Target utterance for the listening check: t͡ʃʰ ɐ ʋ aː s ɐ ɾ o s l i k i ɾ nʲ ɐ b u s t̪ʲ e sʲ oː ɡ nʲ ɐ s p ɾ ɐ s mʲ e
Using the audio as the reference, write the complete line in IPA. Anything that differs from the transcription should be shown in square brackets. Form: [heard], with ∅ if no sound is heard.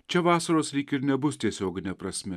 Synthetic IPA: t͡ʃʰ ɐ ʋ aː s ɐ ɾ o s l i k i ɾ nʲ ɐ b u s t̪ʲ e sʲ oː ɡ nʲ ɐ [∅] p ɾ ɐ s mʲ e